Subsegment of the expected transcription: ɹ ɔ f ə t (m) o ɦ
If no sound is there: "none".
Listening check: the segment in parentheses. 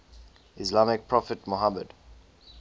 m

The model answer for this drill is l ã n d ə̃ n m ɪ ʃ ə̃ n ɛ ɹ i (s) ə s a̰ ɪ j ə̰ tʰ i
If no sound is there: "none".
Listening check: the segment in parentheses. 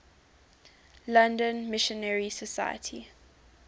s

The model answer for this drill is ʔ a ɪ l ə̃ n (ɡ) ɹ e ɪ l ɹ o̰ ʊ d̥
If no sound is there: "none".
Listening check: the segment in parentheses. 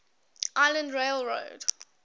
d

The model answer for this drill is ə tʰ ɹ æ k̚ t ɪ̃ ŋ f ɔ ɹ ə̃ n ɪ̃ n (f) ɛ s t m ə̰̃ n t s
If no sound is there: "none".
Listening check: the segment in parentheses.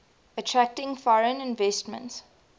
v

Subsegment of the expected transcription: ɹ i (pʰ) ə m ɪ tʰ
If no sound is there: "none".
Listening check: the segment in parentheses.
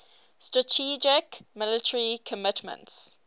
kʰ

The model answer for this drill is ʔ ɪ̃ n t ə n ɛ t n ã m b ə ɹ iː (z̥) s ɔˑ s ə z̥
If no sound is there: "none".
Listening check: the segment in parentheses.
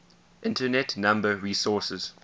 none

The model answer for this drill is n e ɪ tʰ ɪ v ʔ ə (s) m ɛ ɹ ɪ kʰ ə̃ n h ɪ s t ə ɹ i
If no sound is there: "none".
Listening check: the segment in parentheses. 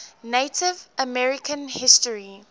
none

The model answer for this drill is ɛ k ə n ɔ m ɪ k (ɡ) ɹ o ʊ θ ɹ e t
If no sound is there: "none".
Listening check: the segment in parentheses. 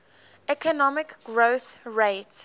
ɡ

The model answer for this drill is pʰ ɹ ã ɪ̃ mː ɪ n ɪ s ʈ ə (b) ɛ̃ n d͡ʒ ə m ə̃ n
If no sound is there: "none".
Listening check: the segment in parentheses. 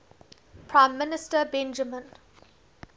b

